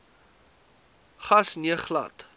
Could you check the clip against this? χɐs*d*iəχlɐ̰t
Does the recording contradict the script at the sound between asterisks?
yes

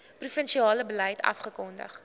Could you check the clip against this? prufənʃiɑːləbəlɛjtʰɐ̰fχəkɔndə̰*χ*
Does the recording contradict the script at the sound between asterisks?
no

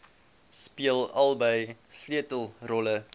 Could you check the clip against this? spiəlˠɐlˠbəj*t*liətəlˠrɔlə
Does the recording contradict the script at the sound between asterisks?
yes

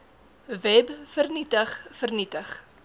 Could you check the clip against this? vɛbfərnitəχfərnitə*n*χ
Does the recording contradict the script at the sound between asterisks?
yes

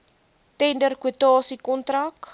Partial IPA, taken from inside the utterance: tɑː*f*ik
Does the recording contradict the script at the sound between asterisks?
yes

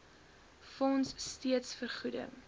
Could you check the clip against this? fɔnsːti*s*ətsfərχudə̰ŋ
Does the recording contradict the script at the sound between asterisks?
yes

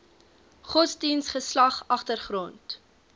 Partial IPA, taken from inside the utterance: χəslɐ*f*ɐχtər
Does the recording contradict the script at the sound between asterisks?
yes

